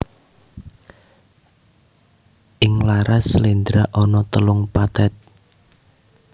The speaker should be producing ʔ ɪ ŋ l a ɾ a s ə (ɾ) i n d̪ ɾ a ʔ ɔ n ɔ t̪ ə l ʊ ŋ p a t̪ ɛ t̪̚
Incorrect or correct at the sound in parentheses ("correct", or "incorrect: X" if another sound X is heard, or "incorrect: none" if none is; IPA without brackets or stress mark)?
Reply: incorrect: l